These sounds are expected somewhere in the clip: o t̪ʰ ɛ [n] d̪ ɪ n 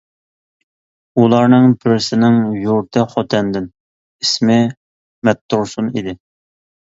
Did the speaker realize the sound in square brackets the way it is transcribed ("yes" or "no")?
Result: yes